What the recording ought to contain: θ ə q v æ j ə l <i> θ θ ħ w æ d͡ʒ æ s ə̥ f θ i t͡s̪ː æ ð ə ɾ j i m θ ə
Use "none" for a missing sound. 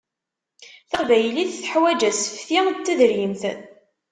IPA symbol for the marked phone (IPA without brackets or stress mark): i